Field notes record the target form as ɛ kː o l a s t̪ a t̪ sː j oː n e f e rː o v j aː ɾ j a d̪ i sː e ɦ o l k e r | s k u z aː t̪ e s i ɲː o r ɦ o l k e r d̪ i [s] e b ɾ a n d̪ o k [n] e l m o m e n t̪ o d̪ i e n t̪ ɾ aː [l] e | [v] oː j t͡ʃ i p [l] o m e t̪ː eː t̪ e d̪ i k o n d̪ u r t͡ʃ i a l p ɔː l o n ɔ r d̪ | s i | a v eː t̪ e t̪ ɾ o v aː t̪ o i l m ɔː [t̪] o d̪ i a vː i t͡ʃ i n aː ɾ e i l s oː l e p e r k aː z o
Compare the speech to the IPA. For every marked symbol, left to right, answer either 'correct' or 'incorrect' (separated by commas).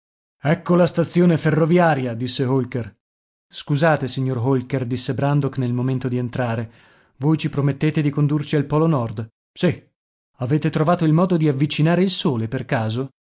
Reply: incorrect, correct, incorrect, correct, incorrect, incorrect